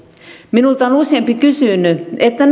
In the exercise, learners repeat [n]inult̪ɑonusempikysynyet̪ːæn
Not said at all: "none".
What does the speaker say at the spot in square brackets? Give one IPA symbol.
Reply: m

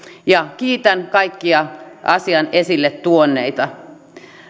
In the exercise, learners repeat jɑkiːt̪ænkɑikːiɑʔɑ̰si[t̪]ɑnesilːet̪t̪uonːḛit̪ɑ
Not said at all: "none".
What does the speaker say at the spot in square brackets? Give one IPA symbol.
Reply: none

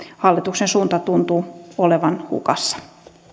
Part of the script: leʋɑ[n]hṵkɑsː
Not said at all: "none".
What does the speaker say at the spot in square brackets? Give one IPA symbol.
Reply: n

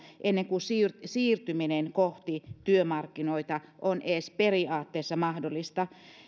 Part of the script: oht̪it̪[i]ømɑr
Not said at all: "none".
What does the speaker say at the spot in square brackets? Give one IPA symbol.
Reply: y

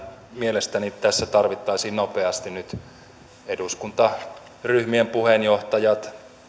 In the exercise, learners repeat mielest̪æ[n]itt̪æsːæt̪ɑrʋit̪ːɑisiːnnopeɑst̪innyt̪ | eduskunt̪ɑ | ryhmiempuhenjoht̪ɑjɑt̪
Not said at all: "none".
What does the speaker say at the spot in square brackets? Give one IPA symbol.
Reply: n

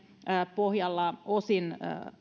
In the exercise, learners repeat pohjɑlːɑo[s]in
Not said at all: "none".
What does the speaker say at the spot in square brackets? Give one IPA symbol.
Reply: s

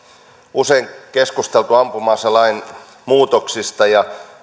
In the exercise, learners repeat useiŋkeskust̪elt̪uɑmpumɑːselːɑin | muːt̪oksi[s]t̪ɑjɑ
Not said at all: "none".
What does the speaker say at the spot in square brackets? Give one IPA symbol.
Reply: s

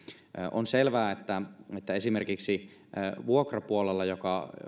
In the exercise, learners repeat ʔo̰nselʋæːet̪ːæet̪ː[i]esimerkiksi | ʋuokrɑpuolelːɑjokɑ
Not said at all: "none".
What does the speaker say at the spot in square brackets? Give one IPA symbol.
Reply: æ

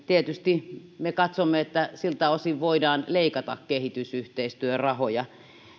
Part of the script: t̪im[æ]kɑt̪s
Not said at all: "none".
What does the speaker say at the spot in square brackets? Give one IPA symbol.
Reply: e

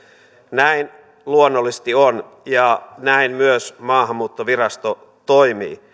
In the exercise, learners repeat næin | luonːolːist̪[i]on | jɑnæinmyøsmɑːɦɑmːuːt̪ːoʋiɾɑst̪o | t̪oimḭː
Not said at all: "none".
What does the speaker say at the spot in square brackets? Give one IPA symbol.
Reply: i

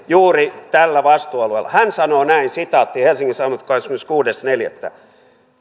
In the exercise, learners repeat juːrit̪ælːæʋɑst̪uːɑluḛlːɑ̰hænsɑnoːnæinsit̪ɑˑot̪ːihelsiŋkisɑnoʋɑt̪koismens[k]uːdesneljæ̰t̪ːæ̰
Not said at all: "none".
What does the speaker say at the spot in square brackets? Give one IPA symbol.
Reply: k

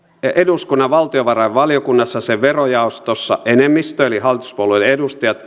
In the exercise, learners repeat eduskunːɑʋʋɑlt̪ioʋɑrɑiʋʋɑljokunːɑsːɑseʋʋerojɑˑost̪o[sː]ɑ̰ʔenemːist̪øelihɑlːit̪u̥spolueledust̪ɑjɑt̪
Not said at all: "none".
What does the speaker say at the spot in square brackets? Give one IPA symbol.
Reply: sː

